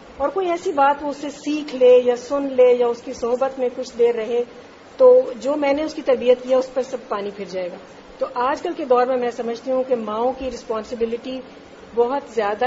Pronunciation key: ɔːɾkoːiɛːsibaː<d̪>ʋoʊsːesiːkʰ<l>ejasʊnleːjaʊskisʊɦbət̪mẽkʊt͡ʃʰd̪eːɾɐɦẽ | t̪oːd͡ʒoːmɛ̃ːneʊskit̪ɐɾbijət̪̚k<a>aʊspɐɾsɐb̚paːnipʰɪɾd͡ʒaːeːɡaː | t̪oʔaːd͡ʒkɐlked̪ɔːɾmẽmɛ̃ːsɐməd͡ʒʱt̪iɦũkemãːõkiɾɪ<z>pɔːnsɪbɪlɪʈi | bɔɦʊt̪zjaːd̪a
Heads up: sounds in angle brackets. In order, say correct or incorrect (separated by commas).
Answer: incorrect, correct, incorrect, incorrect